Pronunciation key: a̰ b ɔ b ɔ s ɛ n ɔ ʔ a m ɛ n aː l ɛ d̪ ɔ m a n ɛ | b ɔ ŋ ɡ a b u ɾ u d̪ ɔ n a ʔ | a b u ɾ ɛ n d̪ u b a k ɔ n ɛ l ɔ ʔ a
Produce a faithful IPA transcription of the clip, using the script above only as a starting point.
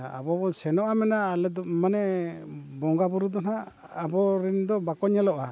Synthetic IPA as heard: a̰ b ɔ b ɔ s ɛ n ɔ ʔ a m ɛ n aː l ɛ d̪ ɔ m a n ɛ | b ɔ ŋ ɡ a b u ɾ u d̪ ɔ n a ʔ | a b ɔ ɾ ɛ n d̪ ɔ b a k ɔ ɲ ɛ l ɔ ʔ a